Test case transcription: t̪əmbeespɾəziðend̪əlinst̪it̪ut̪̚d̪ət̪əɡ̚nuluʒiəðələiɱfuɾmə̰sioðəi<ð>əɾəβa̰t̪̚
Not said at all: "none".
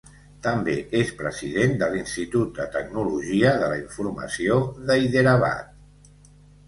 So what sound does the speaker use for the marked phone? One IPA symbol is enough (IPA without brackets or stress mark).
ð